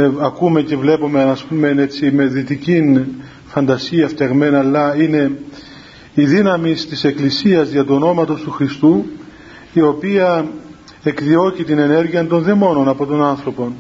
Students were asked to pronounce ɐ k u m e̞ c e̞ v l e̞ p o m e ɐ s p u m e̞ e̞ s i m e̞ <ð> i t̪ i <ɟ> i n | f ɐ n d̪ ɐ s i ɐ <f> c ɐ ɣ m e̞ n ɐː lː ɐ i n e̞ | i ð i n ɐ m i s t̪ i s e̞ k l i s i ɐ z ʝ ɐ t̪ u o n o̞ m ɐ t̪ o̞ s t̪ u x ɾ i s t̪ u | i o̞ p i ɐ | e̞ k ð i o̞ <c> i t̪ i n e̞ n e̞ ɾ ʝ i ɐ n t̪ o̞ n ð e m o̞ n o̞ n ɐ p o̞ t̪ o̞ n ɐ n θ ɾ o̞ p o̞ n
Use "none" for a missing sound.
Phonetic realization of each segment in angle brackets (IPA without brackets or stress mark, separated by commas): ð, c, f, c